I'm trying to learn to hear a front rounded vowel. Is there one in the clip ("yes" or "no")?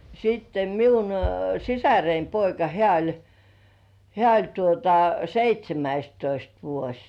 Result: no